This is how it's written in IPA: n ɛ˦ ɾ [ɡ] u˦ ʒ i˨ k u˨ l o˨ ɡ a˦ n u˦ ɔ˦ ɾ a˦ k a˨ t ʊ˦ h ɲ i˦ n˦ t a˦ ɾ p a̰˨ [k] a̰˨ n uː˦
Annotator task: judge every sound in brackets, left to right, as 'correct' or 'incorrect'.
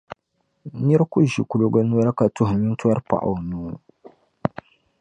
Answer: incorrect, incorrect

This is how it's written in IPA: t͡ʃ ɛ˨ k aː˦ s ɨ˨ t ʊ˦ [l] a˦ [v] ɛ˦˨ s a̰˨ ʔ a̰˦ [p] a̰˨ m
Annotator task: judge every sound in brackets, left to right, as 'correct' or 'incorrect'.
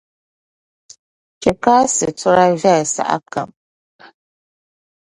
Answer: incorrect, correct, incorrect

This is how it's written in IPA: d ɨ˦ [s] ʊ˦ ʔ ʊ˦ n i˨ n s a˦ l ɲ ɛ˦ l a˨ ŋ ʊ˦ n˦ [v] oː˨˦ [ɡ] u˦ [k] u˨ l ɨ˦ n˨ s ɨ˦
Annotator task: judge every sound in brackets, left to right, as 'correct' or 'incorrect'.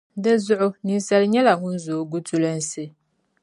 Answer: incorrect, incorrect, correct, incorrect

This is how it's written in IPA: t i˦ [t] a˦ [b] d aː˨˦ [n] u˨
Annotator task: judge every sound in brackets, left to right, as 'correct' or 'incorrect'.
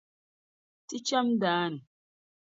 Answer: incorrect, incorrect, correct

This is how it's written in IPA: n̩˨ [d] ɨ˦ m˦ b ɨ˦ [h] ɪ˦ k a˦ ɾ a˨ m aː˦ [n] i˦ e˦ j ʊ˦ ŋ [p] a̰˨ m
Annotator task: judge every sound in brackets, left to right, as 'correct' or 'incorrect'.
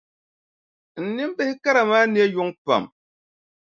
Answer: incorrect, correct, correct, correct

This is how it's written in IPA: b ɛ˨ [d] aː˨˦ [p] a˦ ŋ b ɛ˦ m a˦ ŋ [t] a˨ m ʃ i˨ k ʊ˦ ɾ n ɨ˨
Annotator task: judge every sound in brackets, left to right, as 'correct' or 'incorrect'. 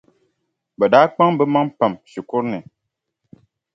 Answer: correct, incorrect, incorrect

